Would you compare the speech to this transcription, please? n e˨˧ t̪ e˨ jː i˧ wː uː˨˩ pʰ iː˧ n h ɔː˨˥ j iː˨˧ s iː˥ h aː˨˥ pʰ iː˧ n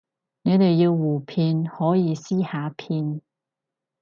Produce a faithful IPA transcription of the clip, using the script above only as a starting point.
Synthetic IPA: n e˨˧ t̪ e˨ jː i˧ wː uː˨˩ pʰ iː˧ n h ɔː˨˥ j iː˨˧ s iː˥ h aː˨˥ pʰ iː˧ n

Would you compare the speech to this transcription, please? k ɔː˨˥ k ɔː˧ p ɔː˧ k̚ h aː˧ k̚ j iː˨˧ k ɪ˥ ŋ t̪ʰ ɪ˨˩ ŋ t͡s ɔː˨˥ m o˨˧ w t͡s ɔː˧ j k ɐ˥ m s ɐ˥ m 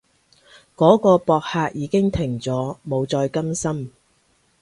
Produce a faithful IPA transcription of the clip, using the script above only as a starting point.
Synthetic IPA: k ɔː˨˥ k ɔː˧ p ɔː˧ k̚ h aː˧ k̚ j iː˨˧ k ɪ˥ ŋ t̪ʰ ɪ˨˩ ŋ t͡s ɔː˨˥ m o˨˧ w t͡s ɔː˧ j k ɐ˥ m s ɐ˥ m

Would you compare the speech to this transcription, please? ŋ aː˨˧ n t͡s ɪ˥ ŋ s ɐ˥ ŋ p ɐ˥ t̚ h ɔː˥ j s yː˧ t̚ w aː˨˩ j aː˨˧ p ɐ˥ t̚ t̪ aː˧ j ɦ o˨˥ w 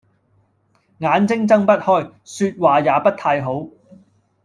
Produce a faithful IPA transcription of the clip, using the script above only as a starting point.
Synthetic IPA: ŋ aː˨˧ n t͡s ɪ˥ ŋ t͡s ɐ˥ ŋ p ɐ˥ t̚ h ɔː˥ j s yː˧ t̚ w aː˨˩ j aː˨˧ p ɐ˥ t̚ t̪ʰ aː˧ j ɦ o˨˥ w

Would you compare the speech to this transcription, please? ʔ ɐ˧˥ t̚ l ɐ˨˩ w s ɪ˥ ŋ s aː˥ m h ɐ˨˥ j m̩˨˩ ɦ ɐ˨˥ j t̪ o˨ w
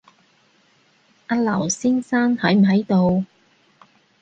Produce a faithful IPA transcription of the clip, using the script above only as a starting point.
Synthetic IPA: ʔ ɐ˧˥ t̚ l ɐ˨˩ w s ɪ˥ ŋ s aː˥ n h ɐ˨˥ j m̩˨˩ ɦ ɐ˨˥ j t̪ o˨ w

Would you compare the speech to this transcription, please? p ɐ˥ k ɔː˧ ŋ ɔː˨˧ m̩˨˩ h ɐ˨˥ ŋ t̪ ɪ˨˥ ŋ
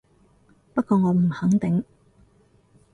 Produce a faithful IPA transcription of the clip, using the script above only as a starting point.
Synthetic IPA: p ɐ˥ k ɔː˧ ŋ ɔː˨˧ m̩˨˩ h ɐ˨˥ ŋ t̪ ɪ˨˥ ŋ

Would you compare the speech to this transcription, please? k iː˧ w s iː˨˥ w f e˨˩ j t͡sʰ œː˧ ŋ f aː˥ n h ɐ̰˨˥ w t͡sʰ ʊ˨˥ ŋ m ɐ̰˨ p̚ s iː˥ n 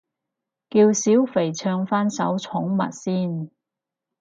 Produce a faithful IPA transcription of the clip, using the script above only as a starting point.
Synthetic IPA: k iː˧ w s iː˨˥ w f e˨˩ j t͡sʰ œː˧ ŋ f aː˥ n s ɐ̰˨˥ w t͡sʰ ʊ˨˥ ŋ m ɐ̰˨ t̚ s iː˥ n

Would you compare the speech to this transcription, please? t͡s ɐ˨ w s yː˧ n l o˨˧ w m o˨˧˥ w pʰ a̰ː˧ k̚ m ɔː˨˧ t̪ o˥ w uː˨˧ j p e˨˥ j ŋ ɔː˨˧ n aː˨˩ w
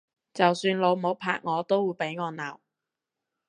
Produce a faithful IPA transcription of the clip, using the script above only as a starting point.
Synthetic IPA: t͡s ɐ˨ w s yː˧ n l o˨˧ w m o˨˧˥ w pʰ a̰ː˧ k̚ ŋ ɔː˨˧ t̪ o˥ w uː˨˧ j p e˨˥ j ŋ ɔː˨˧ n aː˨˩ w

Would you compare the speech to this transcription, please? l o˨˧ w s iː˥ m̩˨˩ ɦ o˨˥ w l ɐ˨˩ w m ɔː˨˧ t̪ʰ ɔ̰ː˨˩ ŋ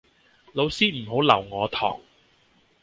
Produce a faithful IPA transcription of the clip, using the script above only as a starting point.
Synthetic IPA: l o˨˧ w s iː˥ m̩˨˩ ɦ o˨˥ w l ɐ˨˩ w ŋ ɔː˨˧ t̪ʰ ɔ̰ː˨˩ ŋ

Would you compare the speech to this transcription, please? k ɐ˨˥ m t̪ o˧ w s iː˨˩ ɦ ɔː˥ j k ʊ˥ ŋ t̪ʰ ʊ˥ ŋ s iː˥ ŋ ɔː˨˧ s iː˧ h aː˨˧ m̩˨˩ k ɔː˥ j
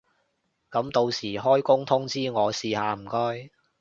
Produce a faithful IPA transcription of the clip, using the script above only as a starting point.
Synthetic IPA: k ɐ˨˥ m t̪ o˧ w s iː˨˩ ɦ ɔː˥ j k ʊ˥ ŋ t̪ʰ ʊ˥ ŋ t͡s iː˥ ŋ ɔː˨˧ s iː˧ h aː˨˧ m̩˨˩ k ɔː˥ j

